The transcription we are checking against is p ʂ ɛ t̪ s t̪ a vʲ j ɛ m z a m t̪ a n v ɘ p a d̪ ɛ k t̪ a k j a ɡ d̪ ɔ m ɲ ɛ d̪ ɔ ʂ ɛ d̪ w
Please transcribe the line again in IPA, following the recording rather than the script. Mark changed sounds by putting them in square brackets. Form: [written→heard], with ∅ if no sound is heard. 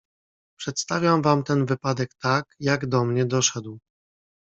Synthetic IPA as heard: p ʂ ɛ t̪ s t̪ a vʲ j [ɛ→a] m [z→v] a m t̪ [a→ɛ] n v ɘ p a d̪ ɛ k t̪ a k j a ɡ d̪ ɔ m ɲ ɛ d̪ ɔ ʂ ɛ d̪ w